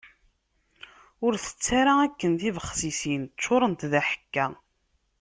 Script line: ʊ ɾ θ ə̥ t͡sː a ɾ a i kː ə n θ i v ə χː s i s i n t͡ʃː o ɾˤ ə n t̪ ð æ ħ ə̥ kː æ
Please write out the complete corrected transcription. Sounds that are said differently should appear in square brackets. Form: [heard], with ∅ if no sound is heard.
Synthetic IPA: ʊ ɾ θ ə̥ t͡sː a ɾ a [æ] kː ə n θ i v ə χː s i s i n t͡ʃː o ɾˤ ə n t̪ ð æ ħ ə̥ kː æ